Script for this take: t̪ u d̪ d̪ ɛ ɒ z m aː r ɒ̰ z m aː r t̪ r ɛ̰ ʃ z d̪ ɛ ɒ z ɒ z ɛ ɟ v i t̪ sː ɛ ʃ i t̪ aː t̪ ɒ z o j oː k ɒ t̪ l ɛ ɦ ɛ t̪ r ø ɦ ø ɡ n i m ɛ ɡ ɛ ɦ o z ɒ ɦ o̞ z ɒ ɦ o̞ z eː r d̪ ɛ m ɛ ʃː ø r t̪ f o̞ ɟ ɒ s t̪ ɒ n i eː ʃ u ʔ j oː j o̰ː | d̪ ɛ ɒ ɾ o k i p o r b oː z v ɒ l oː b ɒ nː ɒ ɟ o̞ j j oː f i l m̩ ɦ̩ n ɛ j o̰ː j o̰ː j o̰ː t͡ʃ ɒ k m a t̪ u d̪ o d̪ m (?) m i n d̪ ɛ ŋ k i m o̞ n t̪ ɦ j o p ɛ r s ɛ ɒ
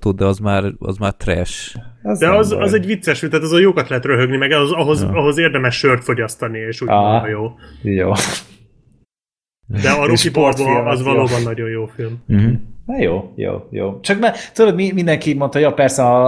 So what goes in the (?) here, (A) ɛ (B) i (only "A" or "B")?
B